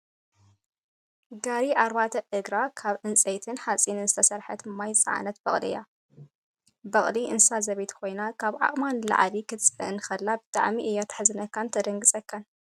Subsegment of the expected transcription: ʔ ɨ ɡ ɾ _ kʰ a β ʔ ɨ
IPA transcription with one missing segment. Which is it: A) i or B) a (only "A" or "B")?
B